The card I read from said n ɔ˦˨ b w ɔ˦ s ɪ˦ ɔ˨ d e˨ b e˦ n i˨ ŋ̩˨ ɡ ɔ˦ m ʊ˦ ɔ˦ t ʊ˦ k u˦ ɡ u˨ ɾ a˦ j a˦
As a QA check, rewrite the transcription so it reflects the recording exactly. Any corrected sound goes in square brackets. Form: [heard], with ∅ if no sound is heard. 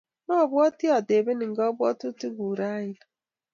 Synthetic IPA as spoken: n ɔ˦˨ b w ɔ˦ [t] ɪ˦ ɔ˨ d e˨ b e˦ n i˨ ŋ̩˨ ɡ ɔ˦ [b] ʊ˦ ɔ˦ t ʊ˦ [t] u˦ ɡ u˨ ɾ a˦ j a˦